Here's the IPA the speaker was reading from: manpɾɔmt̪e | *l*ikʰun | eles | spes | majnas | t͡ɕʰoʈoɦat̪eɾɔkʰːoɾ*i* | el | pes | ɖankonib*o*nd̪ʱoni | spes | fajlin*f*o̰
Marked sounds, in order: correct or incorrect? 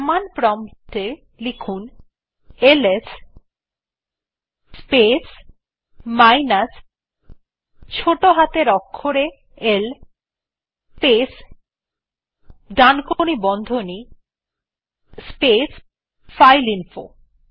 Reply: correct, incorrect, incorrect, correct

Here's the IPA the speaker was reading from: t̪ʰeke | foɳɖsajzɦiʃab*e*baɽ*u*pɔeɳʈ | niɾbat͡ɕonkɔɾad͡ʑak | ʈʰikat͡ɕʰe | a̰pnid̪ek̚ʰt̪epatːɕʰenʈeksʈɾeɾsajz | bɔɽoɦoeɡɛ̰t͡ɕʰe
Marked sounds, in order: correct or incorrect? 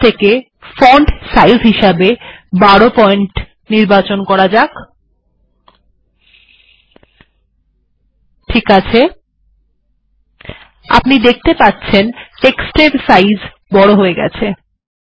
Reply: correct, incorrect

